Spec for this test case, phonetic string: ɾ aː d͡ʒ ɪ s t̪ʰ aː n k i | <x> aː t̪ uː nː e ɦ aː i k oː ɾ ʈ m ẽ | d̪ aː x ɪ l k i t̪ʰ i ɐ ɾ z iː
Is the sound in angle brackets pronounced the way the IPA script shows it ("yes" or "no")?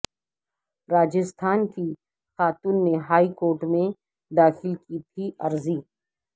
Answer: yes